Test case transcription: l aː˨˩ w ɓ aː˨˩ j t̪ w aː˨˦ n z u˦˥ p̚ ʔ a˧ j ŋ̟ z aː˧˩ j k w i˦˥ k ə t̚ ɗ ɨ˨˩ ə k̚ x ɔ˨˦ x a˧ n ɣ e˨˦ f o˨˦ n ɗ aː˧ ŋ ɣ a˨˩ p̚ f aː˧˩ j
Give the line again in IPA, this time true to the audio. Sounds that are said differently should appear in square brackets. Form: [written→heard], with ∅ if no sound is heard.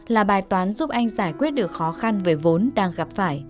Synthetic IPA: l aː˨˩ [w→∅] ɓ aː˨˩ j t̪ w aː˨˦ n z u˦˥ p̚ ʔ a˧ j ŋ̟ z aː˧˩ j k w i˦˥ [k→∅] ə t̚ ɗ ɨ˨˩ ə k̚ x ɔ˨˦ x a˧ n [ɣ→v] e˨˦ [f→v] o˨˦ n ɗ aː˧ ŋ ɣ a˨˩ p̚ f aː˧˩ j